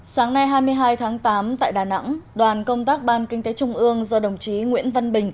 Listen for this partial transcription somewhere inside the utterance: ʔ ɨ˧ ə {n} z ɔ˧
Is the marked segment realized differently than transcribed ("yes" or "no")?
yes